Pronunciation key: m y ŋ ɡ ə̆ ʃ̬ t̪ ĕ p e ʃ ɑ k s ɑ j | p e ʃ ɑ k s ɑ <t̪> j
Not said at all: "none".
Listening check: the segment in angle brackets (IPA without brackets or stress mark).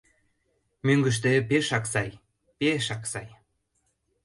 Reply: none